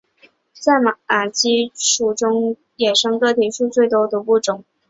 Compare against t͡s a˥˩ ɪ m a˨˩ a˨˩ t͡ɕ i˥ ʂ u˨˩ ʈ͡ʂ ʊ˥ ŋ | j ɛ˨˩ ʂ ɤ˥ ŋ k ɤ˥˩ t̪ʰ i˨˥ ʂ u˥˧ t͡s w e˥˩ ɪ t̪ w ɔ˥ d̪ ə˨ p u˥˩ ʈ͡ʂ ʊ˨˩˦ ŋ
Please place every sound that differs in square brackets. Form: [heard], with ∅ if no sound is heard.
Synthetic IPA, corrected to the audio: t͡s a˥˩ ɪ m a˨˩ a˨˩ t͡ɕ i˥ ʂ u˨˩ ʈ͡ʂ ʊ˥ ŋ | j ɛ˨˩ ʂ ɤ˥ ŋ k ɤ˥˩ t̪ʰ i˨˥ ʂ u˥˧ t͡s w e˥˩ ɪ t̪ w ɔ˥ d̪ ə˨ p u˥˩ ʈ͡ʂ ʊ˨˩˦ ŋ